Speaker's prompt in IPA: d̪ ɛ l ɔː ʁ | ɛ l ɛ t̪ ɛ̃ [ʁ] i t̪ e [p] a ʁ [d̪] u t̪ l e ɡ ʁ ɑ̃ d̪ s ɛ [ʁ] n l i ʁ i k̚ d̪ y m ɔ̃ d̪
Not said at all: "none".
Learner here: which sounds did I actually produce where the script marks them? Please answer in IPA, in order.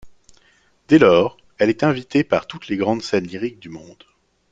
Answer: v, p, t̪, none

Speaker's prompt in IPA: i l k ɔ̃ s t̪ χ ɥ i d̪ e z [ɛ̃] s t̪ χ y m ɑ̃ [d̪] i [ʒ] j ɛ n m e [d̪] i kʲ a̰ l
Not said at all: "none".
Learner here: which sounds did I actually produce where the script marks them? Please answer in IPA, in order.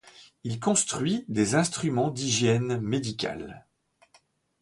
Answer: ɛ̃, d̪, ʒ, d̪

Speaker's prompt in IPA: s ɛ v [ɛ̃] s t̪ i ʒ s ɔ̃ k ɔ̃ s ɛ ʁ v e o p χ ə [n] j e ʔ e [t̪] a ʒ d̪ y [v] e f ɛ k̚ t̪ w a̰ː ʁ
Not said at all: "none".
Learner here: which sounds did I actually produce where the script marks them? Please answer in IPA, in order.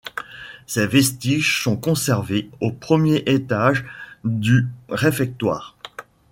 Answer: ɛ, m, t̪, ʁ

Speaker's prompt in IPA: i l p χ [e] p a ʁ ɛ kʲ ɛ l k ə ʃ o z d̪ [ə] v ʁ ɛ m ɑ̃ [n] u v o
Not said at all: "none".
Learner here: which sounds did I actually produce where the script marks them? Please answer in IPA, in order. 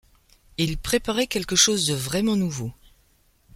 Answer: e, ə, n

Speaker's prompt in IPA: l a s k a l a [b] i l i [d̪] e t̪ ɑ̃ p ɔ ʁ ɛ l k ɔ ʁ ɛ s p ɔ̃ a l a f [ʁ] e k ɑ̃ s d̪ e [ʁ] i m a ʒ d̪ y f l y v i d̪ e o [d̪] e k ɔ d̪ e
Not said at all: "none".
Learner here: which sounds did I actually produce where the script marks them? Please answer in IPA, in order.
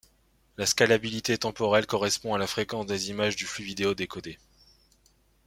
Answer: b, t̪, χ, z, d̪

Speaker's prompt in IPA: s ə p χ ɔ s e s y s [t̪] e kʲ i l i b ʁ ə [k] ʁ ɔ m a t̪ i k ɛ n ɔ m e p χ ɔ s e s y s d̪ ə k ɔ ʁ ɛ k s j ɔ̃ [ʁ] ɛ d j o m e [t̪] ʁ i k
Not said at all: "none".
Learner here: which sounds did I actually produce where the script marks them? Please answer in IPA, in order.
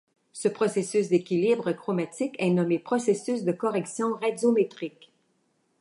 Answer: d̪, k, ʁ, t̪

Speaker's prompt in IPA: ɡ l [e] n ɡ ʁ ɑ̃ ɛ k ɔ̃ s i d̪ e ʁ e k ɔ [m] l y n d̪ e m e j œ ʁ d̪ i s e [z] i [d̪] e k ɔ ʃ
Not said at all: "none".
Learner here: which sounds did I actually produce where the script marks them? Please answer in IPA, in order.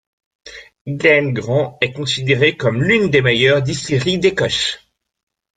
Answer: ɛ, m, ʁ, d̪

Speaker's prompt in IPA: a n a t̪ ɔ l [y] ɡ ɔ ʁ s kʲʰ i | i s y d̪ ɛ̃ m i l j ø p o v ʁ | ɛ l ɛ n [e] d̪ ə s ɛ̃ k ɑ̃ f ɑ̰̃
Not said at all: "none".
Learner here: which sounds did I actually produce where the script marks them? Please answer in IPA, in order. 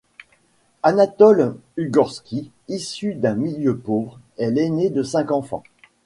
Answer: y, e

